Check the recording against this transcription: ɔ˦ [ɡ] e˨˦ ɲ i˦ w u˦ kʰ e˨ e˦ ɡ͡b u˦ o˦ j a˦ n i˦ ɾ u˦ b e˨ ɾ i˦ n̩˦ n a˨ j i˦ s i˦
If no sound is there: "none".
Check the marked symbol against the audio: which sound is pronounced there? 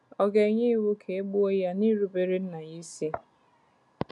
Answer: ɡ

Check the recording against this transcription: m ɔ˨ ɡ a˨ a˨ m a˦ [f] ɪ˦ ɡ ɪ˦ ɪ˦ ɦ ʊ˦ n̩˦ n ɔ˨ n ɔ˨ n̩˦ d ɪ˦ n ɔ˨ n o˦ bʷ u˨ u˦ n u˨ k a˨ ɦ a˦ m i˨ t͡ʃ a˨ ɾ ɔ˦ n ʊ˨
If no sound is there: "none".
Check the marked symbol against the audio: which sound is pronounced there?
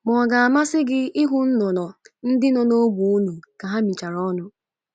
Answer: s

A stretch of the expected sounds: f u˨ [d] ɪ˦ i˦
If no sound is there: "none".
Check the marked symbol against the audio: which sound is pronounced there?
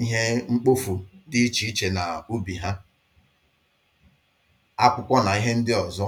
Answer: d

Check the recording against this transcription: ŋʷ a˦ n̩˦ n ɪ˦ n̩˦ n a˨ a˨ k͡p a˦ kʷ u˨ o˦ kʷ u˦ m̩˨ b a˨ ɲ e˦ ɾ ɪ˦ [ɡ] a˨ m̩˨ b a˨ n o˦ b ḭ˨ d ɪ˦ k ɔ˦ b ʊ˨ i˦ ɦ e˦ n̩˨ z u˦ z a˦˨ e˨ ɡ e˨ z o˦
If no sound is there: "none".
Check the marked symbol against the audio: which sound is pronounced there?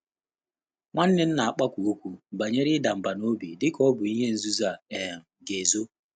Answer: d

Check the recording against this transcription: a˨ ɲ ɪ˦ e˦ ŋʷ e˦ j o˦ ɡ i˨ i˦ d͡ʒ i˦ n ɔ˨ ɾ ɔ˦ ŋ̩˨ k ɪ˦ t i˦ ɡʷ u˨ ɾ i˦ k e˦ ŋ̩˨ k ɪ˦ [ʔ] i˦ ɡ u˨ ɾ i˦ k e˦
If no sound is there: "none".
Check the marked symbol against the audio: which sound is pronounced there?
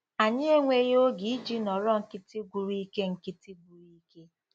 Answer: t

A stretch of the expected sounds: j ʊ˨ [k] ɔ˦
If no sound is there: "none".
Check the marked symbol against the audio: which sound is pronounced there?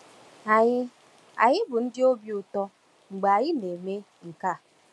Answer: t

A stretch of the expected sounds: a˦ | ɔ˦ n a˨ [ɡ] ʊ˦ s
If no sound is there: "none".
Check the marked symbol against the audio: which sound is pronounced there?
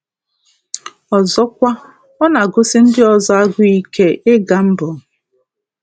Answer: ɡ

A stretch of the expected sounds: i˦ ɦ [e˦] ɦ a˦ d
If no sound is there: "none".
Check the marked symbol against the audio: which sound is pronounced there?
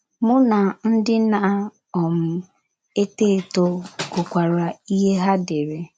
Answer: e˦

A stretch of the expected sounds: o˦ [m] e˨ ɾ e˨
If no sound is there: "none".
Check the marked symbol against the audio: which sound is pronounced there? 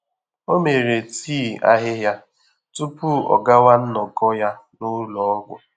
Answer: m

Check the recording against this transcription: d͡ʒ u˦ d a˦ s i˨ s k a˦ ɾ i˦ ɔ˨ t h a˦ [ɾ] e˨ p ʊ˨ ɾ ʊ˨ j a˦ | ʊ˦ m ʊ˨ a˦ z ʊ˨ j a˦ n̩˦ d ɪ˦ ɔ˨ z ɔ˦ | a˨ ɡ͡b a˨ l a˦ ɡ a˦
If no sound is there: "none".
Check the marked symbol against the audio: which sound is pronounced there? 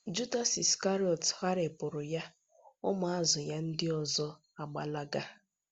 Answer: ɾ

